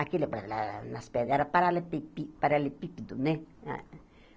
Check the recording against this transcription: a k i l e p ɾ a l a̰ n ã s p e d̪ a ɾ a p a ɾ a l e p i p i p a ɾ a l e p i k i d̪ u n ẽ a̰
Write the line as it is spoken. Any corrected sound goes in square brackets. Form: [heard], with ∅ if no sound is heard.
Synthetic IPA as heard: a k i l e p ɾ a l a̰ n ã s p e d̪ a ɾ a p a ɾ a l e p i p i p a ɾ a l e p i [p] i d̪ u n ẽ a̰